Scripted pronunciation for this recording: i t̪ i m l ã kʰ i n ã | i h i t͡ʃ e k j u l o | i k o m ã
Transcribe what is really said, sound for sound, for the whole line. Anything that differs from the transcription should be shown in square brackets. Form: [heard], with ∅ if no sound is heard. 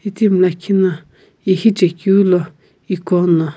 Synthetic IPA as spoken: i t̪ i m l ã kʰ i n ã | i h i t͡ʃ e k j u l o | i k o [n] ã